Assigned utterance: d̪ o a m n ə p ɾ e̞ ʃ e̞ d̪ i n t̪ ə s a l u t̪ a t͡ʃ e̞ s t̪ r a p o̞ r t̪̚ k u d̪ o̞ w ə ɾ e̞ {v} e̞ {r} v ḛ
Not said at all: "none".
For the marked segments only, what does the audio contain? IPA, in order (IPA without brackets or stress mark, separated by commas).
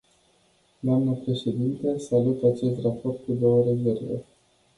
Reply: z, r